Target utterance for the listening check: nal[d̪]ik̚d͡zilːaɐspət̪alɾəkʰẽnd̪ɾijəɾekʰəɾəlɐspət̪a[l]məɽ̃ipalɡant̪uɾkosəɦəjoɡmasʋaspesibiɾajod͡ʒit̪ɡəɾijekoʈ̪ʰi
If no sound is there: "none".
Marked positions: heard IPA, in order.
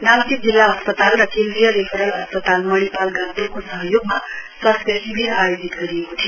t̪, l

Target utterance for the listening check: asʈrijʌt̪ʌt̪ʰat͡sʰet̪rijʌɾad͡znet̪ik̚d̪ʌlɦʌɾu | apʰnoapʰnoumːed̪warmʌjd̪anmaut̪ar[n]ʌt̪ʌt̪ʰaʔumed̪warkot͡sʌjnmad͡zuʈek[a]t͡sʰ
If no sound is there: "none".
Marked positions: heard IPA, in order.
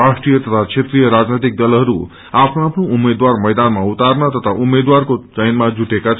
n, a

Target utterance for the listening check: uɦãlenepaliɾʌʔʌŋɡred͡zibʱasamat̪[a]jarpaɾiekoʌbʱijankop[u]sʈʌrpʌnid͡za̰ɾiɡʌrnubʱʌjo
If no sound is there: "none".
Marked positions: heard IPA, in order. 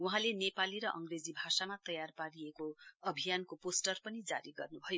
ʌ, o

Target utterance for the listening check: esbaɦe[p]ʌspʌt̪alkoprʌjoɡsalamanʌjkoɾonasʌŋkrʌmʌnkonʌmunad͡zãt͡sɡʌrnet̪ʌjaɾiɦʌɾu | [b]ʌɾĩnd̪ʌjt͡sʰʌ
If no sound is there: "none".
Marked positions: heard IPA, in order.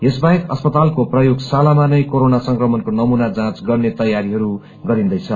k, ɡ

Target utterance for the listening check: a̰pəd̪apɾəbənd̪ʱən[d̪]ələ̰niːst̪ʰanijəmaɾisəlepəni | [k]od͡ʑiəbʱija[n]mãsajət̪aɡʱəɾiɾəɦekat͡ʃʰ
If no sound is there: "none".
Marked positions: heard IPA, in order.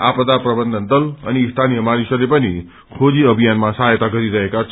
d̪, kʰ, n

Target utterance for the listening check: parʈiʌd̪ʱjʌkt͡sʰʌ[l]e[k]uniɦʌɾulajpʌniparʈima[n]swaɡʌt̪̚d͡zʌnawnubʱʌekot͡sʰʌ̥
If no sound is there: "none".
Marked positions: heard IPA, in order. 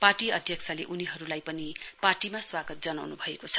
l, ʔ, none

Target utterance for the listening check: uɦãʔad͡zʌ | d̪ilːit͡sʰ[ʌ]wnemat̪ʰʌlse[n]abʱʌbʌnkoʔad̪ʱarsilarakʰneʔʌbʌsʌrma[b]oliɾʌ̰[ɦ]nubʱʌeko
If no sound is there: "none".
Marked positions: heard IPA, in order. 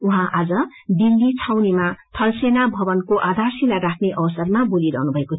a, n, b, ɦ

